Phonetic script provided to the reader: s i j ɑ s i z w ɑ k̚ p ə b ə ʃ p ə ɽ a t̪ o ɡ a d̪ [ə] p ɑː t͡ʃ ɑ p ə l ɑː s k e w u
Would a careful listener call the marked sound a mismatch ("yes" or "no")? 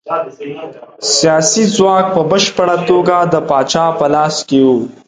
no